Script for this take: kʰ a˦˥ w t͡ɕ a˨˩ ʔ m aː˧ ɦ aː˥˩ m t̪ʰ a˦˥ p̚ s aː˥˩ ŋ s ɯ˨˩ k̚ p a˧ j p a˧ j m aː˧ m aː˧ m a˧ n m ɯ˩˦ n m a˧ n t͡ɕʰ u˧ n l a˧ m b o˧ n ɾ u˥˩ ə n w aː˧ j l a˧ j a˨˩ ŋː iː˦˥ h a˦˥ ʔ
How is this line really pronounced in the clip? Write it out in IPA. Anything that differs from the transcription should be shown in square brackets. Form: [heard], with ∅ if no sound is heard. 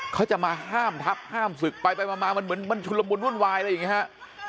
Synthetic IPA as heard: kʰ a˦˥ w t͡ɕ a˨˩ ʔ m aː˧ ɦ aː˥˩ m t̪ʰ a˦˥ p̚ [h] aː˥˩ [m] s ɯ˨˩ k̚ p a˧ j p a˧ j m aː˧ m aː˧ m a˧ n m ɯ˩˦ n m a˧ n t͡ɕʰ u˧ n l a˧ m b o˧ n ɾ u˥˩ ə n w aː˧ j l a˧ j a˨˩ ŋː [i˦˥] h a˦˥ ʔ